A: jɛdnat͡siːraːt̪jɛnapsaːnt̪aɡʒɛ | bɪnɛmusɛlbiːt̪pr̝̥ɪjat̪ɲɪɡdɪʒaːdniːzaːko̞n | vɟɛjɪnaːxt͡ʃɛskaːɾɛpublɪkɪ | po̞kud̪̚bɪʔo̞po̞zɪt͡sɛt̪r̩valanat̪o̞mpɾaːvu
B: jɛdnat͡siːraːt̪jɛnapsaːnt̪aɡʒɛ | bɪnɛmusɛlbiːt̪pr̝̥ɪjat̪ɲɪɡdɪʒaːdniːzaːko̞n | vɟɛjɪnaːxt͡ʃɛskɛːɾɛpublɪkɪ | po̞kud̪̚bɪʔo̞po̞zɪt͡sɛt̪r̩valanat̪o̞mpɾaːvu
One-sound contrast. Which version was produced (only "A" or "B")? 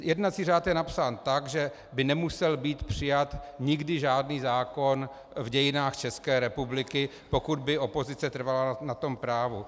B